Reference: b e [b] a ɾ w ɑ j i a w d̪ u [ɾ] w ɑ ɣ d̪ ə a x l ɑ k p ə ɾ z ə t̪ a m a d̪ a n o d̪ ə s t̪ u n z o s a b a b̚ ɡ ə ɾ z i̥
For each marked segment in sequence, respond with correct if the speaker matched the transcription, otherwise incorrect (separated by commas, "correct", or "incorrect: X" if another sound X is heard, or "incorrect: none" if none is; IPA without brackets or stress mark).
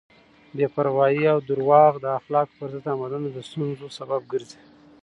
incorrect: p, correct